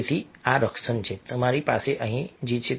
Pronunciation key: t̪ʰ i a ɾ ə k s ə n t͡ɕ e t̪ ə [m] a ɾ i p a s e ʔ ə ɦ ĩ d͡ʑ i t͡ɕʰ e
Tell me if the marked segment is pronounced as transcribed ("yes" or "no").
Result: yes